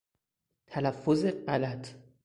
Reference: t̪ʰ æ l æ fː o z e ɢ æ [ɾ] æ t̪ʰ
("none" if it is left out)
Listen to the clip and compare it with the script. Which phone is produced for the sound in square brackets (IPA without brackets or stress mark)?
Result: l